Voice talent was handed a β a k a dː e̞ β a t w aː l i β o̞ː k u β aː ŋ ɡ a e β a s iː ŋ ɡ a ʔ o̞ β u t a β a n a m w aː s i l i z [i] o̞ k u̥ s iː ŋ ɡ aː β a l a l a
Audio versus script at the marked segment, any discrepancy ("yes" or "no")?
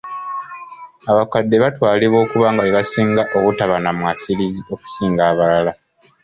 no